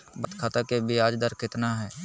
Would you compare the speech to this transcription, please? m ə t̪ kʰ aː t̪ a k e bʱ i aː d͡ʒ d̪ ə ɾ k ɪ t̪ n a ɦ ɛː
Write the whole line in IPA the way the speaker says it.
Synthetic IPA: b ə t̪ kʰ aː t̪ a k e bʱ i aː d͡ʒ d̪ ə ɾ k ɪ t̪ n a ɦ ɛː